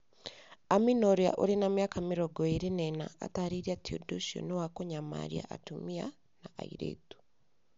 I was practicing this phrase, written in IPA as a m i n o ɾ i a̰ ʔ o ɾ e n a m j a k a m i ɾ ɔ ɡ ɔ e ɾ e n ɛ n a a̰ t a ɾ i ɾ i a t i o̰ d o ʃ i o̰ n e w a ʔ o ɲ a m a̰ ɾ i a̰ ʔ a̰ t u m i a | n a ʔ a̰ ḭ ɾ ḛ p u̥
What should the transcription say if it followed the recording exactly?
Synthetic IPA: a m i n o ɾ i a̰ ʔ o ɾ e n a m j a k a m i ɾ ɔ ɡ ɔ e ɾ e n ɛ n a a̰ t a ɾ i ɾ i a t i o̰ d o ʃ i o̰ n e w a k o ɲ a m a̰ ɾ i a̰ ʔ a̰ t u m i a | n a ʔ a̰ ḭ ɾ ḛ t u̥